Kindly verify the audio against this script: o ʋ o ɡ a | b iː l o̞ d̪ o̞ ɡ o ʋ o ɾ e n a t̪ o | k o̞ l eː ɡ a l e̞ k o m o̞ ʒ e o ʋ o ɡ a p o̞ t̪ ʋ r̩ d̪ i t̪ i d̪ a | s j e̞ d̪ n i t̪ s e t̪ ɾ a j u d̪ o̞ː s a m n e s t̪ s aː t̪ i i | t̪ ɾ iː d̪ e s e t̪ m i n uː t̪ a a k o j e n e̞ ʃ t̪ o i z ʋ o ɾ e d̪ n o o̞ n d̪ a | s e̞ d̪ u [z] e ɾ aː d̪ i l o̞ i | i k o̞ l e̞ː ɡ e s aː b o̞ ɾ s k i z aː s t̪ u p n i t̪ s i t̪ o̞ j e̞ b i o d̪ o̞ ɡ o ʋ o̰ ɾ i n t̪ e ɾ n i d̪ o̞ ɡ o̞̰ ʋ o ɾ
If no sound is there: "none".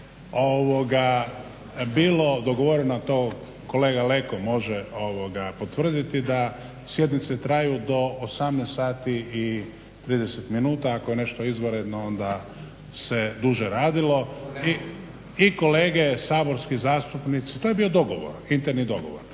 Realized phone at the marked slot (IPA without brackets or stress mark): ʒ